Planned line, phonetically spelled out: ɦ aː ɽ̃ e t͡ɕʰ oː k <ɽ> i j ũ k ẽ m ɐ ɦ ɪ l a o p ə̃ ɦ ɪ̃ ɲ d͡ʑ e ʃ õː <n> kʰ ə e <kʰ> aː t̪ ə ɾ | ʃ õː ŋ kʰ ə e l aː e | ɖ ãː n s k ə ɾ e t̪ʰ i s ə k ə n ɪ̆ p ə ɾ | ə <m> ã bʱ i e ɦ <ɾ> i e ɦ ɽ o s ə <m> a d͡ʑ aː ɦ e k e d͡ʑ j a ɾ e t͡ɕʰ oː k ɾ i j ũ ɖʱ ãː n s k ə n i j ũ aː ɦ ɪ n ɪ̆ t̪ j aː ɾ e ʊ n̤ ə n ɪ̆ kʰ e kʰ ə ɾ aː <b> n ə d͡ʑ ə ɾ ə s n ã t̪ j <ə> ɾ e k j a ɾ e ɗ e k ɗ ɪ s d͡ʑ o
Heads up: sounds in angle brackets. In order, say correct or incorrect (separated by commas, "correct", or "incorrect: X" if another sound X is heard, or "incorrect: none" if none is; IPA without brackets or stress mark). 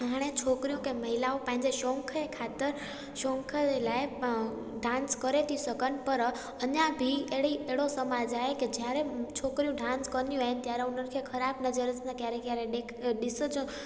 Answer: incorrect: ɾ, incorrect: ŋ, correct, incorrect: ɲ, incorrect: ɽ, correct, correct, incorrect: a